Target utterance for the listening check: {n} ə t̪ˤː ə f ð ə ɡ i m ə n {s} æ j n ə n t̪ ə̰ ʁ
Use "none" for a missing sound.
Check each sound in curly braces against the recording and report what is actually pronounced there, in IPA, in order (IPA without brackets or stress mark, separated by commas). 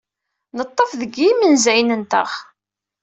n, z